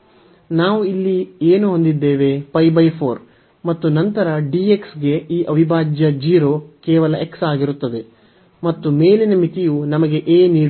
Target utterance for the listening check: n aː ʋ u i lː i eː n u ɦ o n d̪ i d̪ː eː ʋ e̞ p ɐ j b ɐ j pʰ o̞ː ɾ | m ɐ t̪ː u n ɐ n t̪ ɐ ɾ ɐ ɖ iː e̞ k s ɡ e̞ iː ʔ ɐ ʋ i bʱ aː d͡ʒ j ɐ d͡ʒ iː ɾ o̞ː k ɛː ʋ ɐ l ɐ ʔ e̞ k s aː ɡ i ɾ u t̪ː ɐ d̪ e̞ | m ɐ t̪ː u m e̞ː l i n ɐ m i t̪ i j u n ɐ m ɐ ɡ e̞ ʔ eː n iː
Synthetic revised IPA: n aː ʋ u i lː i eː n u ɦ o n d̪ i d̪ː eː ʋ e̞ p ɐ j b ɐ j pʰ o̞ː ɾ | m ɐ t̪ː u n ɐ n t̪ ɐ ɾ ɐ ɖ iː e̞ k s ɡ e̞ iː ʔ ɐ ʋ i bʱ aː d͡ʒ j ɐ d͡ʒ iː ɾ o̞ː k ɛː ʋ ɐ l ɐ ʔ e̞ k s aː ɡ i ɾ u t̪ː ɐ d̪ e̞ | m ɐ t̪ː u m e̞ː l i n ɐ m i t̪ i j u n ɐ m ɐ ɡ e̞ ʔ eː n iː